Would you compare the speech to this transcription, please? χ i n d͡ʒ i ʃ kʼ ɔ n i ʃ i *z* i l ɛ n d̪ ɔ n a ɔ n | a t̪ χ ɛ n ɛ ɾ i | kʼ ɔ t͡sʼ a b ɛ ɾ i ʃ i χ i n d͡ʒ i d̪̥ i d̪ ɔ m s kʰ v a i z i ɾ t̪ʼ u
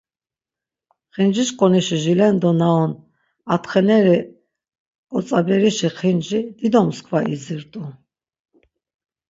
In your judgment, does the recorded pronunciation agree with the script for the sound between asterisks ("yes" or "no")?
no